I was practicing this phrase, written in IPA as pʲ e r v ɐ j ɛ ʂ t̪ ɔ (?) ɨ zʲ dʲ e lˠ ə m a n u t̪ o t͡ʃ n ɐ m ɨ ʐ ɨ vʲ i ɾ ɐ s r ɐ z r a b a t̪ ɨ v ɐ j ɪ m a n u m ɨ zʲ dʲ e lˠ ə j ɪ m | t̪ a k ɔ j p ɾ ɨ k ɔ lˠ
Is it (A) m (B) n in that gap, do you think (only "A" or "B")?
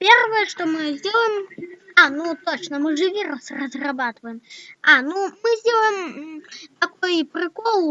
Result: A